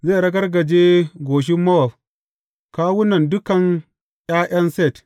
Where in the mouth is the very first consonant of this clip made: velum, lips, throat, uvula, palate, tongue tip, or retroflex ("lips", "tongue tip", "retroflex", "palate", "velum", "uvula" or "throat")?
tongue tip